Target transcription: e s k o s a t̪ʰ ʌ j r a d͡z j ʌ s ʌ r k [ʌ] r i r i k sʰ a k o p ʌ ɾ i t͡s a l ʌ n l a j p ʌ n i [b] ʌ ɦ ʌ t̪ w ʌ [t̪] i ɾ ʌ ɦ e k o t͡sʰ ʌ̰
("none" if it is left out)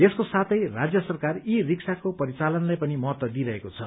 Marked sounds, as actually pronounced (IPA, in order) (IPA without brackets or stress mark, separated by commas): a, m, d̪